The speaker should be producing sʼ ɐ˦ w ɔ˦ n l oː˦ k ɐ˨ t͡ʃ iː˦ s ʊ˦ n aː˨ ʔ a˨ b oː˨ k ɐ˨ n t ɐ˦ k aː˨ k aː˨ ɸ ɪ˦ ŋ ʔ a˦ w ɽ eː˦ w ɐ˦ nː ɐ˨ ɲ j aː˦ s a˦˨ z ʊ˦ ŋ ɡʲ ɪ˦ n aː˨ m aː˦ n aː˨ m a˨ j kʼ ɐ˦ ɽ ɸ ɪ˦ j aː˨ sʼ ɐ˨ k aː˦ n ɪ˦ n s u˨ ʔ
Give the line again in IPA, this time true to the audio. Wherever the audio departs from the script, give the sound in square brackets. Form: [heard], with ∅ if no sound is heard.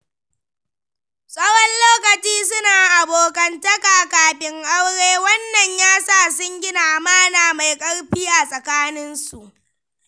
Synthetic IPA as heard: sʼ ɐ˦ w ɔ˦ n l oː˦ k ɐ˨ t͡ʃ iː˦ s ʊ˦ n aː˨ ʔ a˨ b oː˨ k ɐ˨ n t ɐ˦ k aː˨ k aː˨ ɸ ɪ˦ ŋ ʔ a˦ w ɽ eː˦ w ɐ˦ nː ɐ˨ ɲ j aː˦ s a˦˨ [s] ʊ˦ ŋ ɡʲ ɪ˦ n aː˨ m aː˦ n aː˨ m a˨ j kʼ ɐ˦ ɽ ɸ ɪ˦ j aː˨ sʼ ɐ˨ k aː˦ n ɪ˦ n s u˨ ʔ